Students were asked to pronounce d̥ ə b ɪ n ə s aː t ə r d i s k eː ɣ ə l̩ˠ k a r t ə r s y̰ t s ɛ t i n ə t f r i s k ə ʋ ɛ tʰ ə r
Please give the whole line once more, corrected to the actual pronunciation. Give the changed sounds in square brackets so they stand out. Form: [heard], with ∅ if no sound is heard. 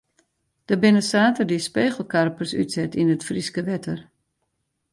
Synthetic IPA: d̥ ə b ɪ n ə s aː t ə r d i s [p] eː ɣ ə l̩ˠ k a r [p] ə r s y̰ t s ɛ t i n ə t f r i s k ə ʋ ɛ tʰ ə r